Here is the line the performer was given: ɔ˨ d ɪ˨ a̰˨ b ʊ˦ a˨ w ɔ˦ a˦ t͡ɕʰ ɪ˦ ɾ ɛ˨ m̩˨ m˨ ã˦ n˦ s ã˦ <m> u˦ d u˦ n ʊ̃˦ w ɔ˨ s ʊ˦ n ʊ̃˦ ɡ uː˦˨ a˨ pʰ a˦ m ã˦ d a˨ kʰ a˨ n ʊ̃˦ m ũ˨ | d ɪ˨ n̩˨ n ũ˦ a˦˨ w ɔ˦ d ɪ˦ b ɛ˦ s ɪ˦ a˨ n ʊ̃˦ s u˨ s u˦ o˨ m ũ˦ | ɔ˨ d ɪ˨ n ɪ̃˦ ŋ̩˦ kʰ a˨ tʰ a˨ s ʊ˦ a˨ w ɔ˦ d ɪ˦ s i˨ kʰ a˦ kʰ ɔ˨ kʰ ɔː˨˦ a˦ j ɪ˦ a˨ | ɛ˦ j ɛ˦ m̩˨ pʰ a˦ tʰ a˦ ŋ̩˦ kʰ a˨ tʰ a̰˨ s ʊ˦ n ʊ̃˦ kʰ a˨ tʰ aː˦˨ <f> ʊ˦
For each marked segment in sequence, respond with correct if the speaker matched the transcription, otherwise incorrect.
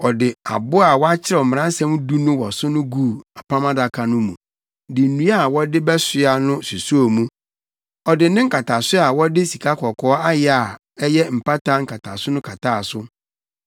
correct, incorrect: s

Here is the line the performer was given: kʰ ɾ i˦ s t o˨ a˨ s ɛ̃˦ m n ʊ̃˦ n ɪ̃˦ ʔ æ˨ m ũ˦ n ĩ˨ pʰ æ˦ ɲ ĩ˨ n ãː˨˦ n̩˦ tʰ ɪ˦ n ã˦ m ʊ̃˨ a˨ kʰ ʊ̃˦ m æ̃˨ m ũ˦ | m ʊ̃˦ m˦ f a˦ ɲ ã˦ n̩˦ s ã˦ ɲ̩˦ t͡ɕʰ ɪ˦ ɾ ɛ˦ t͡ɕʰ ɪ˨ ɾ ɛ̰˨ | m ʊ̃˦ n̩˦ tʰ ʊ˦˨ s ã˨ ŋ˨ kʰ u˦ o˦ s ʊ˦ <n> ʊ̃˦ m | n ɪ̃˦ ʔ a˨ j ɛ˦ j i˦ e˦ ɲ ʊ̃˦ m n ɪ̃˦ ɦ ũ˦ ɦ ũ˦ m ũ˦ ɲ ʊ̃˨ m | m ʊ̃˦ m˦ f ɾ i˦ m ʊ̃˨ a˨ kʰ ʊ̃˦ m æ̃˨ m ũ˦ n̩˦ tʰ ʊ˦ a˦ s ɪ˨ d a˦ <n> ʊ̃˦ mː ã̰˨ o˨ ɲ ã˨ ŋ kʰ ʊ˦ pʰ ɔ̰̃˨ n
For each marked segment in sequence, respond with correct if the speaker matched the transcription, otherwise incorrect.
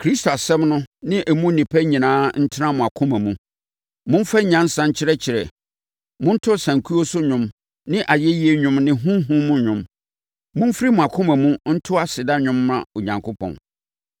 incorrect: ɲ, incorrect: ɲ

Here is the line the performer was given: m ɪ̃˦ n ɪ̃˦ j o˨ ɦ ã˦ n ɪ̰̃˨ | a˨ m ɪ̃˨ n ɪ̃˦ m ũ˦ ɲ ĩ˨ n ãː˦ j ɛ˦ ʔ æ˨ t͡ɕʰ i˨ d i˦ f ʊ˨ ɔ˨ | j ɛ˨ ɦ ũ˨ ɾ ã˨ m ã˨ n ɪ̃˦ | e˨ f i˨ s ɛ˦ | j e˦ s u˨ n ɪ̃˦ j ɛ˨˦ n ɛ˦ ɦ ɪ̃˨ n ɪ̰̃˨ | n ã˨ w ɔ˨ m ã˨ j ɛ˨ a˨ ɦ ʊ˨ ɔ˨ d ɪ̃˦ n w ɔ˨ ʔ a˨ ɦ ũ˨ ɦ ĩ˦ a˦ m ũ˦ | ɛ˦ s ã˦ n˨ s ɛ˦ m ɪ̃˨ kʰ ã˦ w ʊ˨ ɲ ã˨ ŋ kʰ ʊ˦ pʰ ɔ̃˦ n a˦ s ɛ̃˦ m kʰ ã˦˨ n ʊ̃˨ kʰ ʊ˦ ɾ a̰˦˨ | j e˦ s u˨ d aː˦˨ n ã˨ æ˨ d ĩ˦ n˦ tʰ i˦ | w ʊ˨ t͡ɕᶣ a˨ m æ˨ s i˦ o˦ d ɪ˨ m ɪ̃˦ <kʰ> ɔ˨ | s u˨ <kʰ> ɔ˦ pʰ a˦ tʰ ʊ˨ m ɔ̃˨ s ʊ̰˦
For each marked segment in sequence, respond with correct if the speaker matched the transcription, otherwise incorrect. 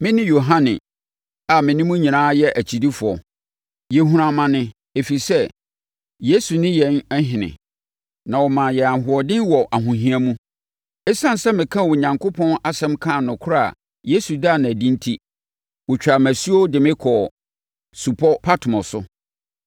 correct, incorrect: pʰ

